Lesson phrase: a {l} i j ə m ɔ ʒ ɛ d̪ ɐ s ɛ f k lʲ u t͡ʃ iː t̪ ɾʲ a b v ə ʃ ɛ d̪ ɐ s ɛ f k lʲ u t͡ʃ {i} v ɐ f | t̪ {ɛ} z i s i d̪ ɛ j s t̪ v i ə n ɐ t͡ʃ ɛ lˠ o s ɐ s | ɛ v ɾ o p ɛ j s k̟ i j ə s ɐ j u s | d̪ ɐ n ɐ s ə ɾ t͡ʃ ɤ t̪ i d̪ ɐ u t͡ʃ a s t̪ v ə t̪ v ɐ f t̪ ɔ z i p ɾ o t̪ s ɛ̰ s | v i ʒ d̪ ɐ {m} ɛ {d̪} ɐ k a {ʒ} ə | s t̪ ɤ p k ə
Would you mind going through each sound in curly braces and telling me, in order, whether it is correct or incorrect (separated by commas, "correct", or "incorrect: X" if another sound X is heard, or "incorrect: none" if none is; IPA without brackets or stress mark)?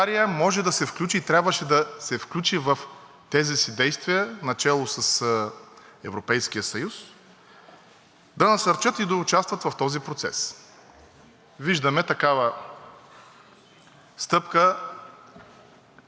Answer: incorrect: ɾ, correct, correct, correct, incorrect: t̪, incorrect: v